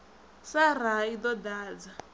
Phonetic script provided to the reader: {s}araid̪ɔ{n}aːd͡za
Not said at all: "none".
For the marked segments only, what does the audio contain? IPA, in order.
s, d

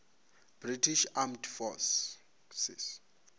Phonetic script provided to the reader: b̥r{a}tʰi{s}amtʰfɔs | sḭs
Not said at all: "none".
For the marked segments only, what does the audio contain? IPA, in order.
i, ʃ

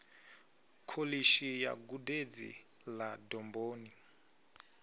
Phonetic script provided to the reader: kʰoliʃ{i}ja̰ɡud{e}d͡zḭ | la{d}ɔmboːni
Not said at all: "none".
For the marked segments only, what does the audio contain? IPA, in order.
i, e, d

